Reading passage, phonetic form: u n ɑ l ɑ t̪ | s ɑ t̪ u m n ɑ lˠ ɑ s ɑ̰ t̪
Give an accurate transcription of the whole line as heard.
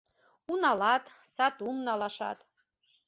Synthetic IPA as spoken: u n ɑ l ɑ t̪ | s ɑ t̪ u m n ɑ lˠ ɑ ʃ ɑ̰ t̪